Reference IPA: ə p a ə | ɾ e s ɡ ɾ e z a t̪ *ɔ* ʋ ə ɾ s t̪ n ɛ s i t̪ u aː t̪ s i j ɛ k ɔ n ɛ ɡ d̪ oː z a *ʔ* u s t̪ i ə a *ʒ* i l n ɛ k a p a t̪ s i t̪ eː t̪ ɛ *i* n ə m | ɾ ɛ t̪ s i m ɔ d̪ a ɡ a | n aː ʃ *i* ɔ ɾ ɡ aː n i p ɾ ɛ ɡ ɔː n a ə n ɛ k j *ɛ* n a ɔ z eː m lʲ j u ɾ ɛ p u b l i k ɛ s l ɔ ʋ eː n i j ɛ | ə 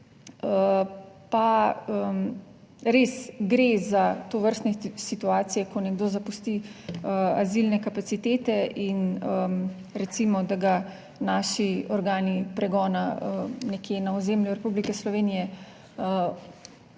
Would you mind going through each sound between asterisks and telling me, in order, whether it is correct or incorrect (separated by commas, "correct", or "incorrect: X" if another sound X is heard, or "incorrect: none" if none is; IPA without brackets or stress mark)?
incorrect: o, incorrect: p, incorrect: z, correct, correct, incorrect: e